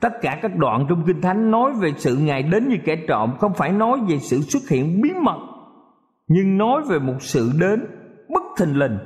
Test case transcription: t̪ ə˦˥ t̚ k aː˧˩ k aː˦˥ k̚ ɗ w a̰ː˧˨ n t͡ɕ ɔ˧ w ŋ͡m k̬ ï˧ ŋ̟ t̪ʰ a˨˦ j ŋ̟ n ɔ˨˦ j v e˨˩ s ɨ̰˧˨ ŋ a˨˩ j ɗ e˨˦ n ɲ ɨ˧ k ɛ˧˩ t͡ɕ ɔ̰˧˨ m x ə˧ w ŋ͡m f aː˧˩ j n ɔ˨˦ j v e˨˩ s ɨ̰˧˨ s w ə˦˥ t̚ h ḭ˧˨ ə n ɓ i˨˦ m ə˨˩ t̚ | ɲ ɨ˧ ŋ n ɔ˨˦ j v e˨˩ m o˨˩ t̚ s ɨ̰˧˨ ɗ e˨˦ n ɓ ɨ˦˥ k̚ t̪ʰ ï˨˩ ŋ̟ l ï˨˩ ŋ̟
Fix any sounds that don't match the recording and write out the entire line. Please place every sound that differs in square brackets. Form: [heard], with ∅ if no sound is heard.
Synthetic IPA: t̪ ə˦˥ t̚ k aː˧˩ k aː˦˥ k̚ ɗ w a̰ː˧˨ n t͡ɕ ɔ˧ w ŋ͡m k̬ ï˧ ŋ̟ t̪ʰ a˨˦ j ŋ̟ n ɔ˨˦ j v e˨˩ s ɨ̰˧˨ ŋ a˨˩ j ɗ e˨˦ n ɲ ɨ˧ k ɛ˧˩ t͡ɕ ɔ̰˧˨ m x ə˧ w ŋ͡m f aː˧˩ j n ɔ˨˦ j v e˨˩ s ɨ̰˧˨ s w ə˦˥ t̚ h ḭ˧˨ ə n ɓ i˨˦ m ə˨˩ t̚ | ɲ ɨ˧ ŋ n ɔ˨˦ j v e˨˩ m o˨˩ t̚ s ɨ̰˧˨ ɗ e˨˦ n ɓ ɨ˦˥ k̚ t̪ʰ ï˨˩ ŋ̟ l ï˨˩ ŋ̟